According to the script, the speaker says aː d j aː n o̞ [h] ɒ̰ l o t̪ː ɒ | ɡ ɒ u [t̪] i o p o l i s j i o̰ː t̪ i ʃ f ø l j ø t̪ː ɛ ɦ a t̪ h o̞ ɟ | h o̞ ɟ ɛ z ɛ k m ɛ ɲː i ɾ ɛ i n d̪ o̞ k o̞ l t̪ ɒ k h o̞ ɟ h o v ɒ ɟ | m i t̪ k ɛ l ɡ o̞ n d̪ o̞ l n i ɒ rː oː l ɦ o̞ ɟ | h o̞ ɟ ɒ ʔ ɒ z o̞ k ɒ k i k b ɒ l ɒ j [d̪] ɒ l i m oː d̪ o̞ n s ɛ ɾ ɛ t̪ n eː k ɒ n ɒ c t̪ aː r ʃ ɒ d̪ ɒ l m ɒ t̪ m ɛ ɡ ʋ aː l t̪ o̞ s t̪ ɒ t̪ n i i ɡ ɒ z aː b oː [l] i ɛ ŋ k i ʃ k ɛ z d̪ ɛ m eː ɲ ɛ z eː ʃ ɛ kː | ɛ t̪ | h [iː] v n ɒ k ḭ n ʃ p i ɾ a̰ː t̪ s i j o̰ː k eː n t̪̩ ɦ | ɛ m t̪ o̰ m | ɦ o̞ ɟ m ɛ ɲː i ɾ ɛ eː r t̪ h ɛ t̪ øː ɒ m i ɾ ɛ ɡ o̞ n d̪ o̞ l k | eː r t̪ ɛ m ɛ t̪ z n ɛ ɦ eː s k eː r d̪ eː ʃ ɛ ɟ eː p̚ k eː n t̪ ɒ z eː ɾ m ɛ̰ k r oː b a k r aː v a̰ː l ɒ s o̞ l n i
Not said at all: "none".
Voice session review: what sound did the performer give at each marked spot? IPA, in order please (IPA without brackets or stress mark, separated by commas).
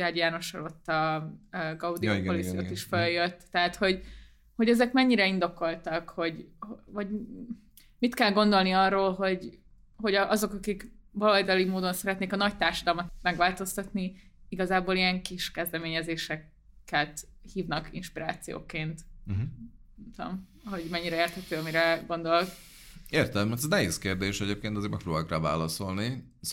ʃ, d̪, d̪, l, iː